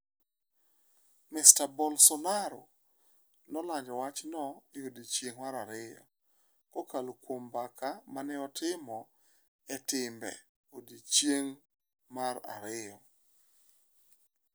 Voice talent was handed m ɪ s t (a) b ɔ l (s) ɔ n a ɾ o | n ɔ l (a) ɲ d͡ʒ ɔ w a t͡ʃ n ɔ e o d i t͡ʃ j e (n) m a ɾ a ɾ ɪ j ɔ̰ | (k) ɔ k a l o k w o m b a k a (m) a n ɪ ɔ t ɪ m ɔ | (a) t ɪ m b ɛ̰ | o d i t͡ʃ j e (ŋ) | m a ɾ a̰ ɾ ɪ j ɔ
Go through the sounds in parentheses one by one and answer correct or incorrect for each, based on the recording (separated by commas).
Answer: correct, correct, correct, incorrect, correct, correct, incorrect, correct